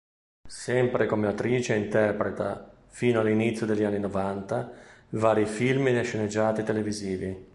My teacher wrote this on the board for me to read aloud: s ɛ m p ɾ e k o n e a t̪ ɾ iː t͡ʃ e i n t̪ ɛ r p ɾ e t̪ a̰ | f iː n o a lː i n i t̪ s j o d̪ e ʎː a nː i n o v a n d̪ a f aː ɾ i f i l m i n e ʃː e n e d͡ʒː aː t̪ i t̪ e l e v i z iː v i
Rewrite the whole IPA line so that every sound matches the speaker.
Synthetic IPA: s ɛ m p ɾ e k o m e a t̪ ɾ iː t͡ʃ e i n t̪ ɛ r p ɾ e t̪ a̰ | f iː n o a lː i n i t̪ s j o d̪ e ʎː a nː i n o v a n t̪ a v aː ɾ i f i l m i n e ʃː e n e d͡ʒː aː t̪ i t̪ e l e v i z iː v i